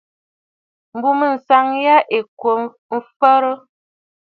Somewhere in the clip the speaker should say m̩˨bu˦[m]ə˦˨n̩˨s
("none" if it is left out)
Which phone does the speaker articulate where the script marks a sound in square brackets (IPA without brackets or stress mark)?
m